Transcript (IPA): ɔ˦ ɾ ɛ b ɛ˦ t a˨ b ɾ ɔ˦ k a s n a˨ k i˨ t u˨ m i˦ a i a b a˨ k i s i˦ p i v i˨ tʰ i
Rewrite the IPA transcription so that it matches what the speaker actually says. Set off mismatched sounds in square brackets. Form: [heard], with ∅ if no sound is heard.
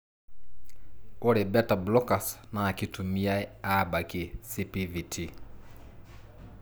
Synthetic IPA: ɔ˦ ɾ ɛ b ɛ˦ t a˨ b [l] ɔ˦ k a s n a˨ k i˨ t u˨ m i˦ a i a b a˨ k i s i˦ p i v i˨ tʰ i

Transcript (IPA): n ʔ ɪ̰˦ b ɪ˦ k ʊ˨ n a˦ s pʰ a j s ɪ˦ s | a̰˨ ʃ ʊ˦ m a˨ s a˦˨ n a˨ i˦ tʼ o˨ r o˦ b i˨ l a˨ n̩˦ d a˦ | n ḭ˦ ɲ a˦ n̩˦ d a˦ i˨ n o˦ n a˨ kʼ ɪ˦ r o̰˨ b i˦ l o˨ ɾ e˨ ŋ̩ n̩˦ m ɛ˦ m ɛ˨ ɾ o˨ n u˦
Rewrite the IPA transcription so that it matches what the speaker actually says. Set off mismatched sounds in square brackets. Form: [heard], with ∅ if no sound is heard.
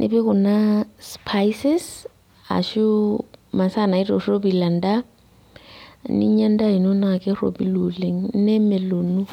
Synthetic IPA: n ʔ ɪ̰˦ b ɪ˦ k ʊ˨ n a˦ s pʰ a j s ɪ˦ s | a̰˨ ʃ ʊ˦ m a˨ s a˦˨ n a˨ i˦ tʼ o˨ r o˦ b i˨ l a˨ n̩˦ d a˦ | n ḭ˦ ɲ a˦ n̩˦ d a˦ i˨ n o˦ n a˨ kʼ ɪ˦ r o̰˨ b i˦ l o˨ [l] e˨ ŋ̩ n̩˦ [n] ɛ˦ m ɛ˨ [l] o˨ n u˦

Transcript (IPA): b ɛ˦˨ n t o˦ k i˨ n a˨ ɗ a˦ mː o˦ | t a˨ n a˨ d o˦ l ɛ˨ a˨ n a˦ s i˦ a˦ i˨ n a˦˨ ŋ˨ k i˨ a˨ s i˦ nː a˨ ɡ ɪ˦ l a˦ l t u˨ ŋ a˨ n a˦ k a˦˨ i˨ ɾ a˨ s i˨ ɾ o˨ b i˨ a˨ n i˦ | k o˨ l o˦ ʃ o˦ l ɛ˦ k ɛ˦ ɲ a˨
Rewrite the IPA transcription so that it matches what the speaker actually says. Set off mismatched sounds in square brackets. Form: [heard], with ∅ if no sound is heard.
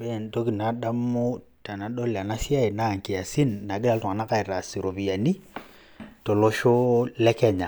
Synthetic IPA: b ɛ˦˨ n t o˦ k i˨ n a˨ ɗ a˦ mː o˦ | t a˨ n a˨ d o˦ l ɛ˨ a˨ n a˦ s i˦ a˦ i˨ n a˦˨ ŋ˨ k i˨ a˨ s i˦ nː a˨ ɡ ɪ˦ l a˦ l t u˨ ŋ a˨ n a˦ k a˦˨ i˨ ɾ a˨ s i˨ ɾ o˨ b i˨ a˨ n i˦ | [t] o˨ l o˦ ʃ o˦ l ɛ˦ k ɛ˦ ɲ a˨

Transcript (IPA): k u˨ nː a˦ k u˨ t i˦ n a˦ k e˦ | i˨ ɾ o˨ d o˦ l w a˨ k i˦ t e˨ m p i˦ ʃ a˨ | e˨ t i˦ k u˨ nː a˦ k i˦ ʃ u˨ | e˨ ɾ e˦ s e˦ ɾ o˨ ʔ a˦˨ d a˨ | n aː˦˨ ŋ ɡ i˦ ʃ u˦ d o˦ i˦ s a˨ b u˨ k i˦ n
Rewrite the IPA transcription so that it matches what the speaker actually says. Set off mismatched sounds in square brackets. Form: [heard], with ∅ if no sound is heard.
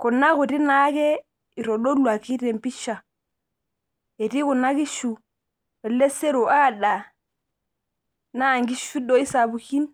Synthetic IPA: k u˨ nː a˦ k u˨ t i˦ n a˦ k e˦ | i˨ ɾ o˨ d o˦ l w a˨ k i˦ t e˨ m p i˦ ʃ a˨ | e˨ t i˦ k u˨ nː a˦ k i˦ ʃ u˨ | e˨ [l] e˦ s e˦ ɾ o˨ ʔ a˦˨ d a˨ | n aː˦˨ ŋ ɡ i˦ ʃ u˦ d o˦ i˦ s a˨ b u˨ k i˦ n

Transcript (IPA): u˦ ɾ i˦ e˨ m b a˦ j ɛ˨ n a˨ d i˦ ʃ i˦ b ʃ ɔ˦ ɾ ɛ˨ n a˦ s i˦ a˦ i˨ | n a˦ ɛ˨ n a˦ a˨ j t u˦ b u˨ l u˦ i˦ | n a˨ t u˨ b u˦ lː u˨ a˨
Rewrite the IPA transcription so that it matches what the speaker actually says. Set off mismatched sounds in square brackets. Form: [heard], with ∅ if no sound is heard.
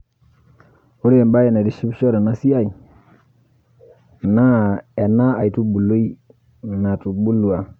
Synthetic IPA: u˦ ɾ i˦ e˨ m b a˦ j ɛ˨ n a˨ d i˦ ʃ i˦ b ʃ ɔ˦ ɾ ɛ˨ n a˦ s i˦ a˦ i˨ | n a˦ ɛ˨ n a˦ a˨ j t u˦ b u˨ l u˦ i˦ | n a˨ t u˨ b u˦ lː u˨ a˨

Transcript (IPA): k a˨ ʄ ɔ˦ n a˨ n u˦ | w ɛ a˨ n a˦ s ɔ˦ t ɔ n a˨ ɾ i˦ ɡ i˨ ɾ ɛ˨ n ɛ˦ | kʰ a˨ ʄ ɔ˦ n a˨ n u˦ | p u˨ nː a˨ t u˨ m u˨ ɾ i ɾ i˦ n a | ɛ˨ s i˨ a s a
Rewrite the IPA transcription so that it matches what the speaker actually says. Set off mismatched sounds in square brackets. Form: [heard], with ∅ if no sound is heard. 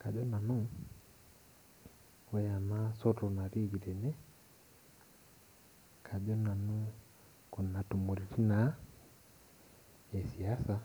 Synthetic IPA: k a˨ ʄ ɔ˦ n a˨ n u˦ | w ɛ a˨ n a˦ s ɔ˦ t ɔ n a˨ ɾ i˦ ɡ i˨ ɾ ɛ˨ n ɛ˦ | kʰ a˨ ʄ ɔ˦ n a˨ n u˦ | [k] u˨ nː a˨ t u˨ m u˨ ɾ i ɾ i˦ n a | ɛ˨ s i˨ a s a

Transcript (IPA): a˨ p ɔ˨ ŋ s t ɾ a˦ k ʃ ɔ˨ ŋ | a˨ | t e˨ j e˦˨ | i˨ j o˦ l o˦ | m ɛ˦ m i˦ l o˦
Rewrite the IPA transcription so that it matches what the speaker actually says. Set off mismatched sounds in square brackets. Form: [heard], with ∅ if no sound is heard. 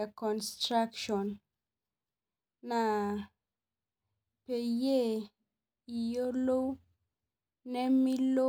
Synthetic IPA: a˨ [k] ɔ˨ [n] s t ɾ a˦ k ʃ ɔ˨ [n] | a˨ | [p] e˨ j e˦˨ | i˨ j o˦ l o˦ | [n] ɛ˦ m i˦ l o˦

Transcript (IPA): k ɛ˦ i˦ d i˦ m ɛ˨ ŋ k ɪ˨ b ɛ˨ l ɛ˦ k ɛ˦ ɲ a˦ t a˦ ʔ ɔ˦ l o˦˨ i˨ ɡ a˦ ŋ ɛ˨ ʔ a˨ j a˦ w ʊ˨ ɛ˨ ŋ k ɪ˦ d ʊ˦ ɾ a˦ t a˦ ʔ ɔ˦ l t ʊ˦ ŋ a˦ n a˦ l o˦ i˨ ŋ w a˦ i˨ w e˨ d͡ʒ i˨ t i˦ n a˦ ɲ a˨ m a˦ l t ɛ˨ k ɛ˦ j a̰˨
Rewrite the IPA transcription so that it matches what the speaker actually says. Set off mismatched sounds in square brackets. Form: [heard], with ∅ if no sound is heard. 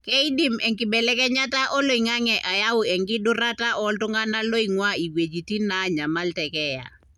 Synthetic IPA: k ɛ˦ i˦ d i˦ m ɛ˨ ŋ k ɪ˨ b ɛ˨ l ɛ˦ k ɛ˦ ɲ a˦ t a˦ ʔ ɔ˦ l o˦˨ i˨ [ŋ] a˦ ŋ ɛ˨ ʔ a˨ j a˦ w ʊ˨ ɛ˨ ŋ [ɡ] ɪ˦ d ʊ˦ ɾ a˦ t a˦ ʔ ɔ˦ l t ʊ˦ ŋ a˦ n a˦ l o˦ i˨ ŋ w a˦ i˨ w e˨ d͡ʒ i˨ t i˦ n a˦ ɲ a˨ m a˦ l t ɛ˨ k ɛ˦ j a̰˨

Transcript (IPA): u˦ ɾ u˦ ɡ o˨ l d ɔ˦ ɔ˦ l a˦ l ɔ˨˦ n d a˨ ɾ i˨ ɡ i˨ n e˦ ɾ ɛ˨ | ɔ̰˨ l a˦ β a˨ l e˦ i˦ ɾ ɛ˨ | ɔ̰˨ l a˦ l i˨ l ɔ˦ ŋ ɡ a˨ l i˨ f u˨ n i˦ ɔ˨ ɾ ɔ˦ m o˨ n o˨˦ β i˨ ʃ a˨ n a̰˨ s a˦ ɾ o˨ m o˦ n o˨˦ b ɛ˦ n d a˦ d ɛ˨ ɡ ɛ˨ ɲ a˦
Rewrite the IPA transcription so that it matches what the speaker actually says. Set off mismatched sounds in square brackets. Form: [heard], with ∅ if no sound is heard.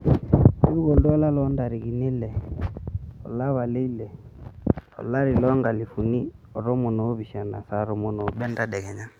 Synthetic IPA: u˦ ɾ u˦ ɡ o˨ l d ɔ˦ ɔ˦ l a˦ l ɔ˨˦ n d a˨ ɾ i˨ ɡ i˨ n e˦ [l] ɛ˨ | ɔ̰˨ l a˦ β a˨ l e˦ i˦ [l] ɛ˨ | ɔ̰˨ l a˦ [ɾ] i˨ l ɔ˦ ŋ ɡ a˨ l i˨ f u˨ n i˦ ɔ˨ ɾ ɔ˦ m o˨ n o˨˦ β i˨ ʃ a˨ n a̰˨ s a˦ ɾ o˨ m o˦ n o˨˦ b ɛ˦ n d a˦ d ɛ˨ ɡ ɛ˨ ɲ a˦

